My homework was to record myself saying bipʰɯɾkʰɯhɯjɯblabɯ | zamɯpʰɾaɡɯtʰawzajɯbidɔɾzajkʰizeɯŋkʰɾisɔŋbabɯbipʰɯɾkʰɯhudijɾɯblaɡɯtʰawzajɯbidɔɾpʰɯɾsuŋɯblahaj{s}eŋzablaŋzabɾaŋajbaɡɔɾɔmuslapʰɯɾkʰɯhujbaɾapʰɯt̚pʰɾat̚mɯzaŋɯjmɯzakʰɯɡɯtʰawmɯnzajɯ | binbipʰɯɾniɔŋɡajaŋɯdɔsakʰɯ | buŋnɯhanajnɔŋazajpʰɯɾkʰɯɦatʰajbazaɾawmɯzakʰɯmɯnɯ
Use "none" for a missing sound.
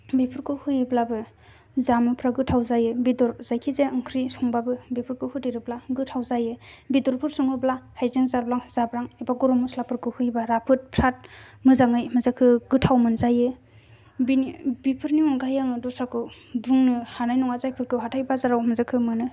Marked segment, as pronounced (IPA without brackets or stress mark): z